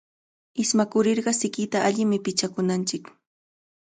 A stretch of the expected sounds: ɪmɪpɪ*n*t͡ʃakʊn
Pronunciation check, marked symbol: incorrect: none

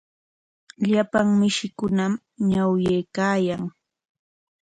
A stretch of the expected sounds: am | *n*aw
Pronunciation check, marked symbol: incorrect: ɲ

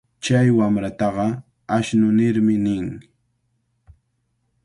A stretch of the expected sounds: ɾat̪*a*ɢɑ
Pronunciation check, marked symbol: incorrect: ɑ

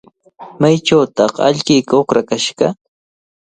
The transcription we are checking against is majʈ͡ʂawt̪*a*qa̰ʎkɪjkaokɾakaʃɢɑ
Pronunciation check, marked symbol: incorrect: ɑ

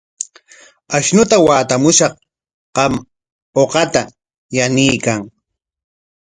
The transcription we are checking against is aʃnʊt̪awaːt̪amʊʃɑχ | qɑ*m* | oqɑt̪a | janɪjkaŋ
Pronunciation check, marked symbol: correct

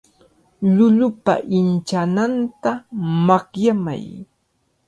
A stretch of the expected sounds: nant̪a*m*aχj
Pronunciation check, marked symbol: correct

